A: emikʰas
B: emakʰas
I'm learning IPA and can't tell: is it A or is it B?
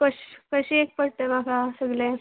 B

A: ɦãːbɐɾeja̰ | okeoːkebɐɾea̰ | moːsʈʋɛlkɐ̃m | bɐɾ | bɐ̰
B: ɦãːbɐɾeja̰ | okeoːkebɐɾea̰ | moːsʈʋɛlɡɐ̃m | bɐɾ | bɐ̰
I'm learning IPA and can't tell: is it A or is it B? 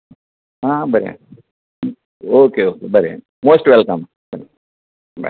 A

